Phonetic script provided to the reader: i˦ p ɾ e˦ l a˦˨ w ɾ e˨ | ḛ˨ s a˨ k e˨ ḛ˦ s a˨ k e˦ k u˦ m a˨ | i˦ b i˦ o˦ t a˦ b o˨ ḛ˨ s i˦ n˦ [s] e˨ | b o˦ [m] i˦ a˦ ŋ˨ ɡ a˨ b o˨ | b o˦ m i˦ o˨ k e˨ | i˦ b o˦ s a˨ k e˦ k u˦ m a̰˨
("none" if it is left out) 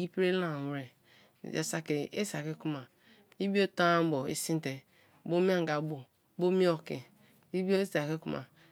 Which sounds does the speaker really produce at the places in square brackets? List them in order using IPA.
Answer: t, m

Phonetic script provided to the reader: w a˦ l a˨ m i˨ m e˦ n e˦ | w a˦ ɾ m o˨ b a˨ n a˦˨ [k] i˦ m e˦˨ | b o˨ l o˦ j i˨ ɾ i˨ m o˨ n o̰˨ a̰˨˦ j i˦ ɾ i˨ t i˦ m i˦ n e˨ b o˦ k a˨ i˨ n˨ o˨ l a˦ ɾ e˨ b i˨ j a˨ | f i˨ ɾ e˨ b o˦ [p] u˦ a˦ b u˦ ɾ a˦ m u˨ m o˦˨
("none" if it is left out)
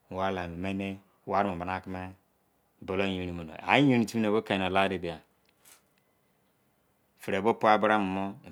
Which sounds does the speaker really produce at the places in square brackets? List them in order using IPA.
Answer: k, p

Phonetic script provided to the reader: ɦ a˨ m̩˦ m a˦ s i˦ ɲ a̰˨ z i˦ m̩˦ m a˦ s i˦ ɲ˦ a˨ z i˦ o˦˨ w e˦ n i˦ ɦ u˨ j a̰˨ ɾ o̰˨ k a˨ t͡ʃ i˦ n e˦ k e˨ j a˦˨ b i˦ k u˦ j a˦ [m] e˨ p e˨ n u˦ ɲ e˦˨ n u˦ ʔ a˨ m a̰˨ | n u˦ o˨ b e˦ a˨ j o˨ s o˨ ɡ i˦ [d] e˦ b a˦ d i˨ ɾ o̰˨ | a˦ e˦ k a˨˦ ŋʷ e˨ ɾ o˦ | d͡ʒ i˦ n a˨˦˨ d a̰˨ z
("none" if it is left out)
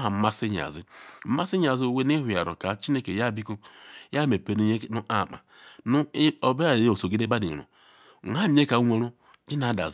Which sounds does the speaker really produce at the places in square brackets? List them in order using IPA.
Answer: m, d

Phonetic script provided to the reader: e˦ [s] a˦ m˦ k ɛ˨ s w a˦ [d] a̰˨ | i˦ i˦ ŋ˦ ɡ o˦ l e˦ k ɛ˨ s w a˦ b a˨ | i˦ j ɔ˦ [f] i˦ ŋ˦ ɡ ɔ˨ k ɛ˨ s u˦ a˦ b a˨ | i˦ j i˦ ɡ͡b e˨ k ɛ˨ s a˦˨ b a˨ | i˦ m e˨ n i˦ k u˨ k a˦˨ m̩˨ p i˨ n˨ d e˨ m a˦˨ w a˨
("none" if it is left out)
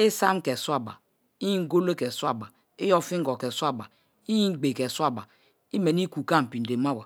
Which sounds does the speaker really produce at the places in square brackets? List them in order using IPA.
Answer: s, b, f

